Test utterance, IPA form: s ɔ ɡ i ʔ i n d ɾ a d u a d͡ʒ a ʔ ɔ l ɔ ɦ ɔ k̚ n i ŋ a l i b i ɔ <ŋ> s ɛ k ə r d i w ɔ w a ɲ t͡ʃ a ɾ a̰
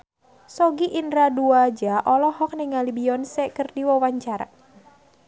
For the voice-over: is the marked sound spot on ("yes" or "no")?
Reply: no